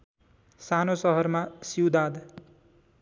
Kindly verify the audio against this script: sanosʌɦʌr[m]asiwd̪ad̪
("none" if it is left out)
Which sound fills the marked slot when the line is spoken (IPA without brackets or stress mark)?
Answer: m